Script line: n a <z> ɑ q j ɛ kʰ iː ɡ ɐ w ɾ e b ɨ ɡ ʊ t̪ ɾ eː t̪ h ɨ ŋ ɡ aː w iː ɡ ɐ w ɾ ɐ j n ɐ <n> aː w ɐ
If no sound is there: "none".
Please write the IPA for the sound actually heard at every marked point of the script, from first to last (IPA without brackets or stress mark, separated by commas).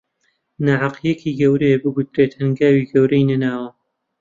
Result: ʕ, n